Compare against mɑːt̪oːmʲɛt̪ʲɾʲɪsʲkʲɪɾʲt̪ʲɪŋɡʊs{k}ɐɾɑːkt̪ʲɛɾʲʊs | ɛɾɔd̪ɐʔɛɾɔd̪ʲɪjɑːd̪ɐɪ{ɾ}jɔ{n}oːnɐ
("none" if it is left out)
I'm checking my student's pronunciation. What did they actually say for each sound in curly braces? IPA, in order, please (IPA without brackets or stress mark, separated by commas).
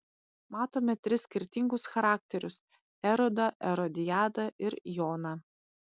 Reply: x, ɾ, none